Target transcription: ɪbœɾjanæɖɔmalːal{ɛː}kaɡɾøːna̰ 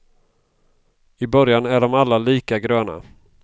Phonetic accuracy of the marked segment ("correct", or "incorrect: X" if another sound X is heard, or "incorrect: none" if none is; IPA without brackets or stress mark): incorrect: iː